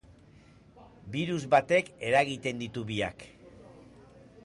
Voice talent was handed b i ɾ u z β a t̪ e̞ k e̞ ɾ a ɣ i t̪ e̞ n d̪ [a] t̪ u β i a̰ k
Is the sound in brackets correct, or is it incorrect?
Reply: incorrect